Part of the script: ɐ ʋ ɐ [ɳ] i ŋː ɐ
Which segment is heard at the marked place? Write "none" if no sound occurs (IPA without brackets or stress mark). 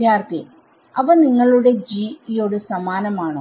n